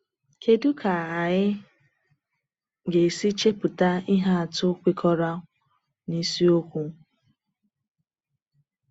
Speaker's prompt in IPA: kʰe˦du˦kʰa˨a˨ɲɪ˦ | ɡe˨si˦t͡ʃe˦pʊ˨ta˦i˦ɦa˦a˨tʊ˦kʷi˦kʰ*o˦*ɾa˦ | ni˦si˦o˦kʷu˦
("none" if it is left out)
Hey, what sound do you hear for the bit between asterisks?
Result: ɔ˦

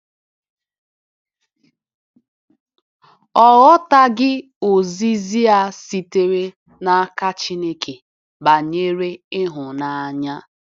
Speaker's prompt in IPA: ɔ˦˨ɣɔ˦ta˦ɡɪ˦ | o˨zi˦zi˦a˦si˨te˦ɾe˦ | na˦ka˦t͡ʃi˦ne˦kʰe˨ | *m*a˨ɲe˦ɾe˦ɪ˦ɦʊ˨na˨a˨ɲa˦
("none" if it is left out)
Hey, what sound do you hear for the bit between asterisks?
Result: b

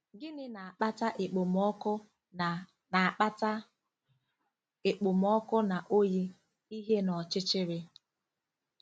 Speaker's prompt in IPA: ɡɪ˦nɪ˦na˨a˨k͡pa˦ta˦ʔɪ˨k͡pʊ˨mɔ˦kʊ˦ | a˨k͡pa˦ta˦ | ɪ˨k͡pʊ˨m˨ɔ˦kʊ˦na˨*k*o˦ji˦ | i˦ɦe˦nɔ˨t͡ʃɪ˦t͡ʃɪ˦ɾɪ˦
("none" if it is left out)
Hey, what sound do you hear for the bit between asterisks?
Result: ʔ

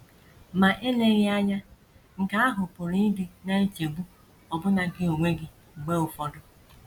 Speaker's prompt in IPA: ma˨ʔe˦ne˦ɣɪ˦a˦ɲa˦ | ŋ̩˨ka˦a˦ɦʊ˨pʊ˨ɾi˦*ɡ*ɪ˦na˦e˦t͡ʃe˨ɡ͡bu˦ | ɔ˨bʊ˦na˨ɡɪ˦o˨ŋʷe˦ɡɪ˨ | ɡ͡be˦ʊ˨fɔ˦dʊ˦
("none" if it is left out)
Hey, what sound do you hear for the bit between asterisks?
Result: d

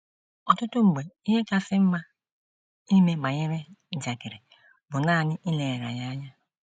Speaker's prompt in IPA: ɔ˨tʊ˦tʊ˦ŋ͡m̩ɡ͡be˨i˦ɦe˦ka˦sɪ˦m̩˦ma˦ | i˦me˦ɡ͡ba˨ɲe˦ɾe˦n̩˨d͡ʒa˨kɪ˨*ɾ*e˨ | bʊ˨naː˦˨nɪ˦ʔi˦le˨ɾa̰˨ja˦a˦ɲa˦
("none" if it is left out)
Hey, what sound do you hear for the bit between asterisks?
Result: ɾ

